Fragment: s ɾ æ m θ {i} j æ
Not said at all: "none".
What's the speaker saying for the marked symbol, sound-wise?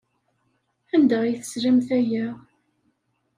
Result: æ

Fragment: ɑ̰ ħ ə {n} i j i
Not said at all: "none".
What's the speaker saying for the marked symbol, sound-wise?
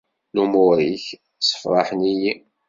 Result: n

